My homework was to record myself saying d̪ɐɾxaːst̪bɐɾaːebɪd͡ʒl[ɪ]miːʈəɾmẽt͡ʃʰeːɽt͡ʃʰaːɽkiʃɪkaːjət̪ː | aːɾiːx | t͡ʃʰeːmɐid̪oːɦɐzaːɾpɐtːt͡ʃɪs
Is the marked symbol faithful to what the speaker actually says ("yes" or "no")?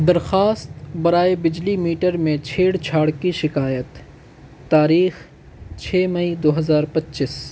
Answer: no